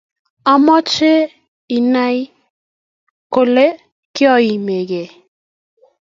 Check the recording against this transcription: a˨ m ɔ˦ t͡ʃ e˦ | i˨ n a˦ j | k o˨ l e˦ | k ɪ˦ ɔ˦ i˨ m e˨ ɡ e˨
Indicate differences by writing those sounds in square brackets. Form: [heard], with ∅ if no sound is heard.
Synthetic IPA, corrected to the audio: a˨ m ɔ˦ t͡ʃ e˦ | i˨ n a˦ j | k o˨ l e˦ | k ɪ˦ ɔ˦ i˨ m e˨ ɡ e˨